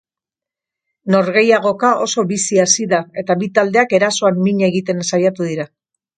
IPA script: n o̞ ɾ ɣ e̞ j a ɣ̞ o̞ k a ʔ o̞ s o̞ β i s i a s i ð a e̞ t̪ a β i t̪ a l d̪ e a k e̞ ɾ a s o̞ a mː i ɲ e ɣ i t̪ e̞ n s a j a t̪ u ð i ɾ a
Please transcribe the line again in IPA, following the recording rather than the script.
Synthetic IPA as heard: n o̞ ɾ ɣ e̞ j a ɣ̞ o̞ k a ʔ o̞ s o̞ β i s i a s i ð a e̞ t̪ a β i t̪ a l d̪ e a k e̞ ɾ a s o̞ a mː i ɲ e ɣ i t̪ e̞ n s a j a t̪ u ð i ɾ a